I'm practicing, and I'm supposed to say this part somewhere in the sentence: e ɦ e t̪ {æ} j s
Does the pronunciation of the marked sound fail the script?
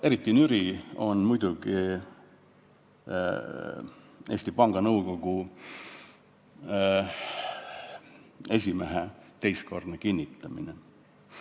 yes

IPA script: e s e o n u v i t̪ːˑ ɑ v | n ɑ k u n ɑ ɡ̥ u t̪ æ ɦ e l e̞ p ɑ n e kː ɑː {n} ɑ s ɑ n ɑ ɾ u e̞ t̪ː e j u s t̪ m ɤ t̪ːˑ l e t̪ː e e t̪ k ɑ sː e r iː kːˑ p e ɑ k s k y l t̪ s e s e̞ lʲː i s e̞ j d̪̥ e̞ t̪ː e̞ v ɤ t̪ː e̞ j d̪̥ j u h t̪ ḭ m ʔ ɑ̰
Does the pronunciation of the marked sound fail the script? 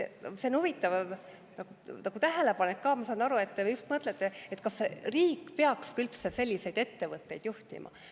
yes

